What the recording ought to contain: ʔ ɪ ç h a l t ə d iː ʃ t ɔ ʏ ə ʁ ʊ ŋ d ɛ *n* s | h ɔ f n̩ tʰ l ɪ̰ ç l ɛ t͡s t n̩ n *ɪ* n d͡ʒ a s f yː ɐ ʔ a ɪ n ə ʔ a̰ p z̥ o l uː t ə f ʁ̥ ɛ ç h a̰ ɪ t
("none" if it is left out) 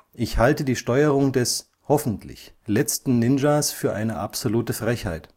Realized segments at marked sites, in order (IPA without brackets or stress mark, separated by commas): none, ɪ